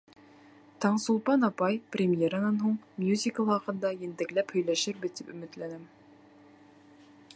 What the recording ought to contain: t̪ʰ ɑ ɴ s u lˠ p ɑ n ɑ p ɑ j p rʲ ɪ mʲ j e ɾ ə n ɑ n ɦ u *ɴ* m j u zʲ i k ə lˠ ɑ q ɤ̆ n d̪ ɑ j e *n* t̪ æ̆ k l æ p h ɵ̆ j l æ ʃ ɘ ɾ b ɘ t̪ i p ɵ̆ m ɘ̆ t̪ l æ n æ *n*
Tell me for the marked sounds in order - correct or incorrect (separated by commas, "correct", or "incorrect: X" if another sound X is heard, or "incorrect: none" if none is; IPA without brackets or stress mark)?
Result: correct, correct, incorrect: m